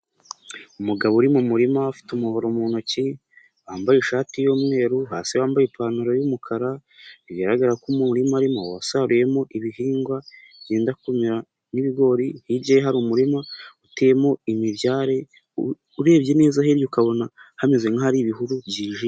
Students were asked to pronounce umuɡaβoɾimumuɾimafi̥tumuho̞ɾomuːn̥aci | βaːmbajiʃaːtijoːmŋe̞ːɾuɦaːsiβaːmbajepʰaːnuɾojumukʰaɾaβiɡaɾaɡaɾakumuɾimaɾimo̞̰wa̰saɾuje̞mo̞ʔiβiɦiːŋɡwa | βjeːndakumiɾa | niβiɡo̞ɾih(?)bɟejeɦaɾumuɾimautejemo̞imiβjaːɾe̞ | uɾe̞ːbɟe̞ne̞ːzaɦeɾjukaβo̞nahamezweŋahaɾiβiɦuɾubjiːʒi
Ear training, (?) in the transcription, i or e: i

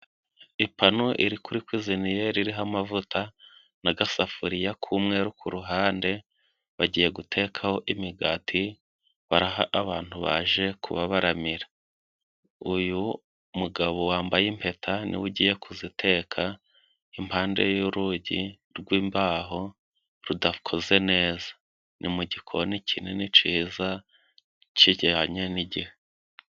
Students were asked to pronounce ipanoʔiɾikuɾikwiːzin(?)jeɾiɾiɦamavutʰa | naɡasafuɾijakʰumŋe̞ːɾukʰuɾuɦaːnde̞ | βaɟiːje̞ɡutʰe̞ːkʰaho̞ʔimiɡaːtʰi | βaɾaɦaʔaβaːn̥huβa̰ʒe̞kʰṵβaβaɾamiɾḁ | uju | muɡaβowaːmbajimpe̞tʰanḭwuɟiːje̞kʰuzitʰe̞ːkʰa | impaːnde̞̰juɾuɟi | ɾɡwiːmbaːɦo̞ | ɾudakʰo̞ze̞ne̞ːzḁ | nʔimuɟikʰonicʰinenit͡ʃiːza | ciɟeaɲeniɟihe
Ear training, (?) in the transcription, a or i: i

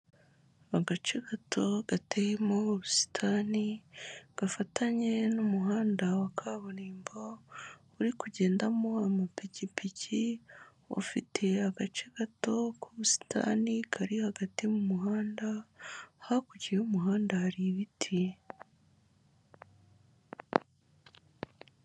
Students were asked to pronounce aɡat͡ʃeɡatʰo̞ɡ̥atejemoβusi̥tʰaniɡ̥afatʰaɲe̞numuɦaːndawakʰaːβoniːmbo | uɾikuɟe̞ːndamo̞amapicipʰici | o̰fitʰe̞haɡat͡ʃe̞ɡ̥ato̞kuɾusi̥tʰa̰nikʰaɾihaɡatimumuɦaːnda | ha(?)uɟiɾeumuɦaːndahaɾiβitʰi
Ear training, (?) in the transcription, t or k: k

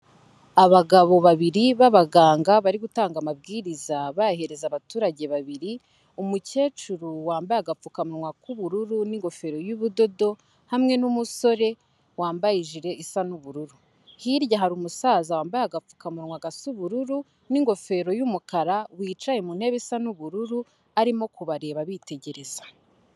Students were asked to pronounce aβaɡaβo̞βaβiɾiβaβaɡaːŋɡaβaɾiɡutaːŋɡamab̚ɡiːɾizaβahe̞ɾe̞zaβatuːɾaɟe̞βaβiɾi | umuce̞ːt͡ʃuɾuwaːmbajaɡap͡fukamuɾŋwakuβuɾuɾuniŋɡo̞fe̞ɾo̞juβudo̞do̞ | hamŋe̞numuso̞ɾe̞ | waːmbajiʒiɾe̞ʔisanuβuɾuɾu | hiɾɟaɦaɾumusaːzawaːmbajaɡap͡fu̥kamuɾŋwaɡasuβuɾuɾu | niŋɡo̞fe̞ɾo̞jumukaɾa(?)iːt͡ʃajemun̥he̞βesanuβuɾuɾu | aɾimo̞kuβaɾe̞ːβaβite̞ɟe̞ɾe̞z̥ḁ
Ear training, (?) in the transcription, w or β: w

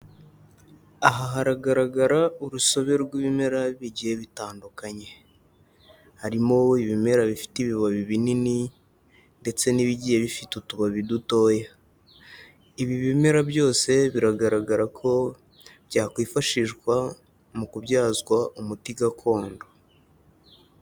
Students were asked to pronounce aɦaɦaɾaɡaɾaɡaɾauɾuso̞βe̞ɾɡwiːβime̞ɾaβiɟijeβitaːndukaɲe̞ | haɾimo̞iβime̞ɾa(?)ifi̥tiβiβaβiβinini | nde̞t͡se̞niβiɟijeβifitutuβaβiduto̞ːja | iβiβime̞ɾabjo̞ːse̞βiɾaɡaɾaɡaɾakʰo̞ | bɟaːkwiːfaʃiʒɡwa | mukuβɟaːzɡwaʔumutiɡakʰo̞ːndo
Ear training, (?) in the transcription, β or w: β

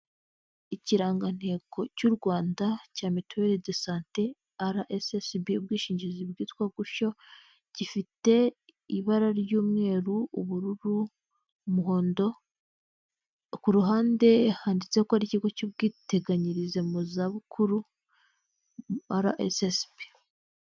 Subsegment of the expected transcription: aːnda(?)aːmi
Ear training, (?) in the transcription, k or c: c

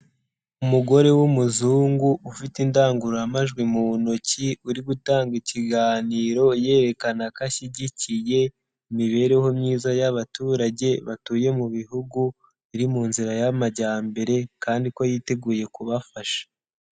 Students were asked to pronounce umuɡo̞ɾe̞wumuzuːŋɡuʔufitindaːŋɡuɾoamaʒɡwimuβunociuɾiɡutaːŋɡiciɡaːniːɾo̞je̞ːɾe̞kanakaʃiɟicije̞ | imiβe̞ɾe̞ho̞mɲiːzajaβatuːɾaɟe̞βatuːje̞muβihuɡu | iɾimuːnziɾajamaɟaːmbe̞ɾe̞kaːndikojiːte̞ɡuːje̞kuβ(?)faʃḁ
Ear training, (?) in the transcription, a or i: a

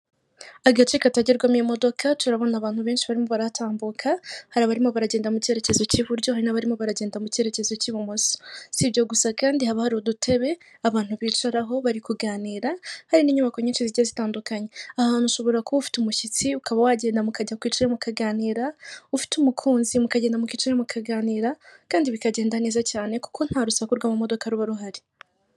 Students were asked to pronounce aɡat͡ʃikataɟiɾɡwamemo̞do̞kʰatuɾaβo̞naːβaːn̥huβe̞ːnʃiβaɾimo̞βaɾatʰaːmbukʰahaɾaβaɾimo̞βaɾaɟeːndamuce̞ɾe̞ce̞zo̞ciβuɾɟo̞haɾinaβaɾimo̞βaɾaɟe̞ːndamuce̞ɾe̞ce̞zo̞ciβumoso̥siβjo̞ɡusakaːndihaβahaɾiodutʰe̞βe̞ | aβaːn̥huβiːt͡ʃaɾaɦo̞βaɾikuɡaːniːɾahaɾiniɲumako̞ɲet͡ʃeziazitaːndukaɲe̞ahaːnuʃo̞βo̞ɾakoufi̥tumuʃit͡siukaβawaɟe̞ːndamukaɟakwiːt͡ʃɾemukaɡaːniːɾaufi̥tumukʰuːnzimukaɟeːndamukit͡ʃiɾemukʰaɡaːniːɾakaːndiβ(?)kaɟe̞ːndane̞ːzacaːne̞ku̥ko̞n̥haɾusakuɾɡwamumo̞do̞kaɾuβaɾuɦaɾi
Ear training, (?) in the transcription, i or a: i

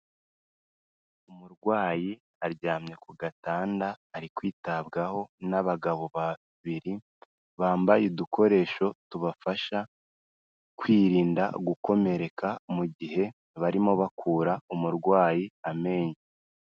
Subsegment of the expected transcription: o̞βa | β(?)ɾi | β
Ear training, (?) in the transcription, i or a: i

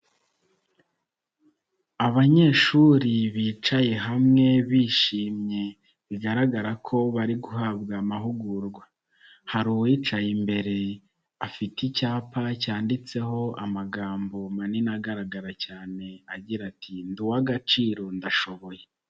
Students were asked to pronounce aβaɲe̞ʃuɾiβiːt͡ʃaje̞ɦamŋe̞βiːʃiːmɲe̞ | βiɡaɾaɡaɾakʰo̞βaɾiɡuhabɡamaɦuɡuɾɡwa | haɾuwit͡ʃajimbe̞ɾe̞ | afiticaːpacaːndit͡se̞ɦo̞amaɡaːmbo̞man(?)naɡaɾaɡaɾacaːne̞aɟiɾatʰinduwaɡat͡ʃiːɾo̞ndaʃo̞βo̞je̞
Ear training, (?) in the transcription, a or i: i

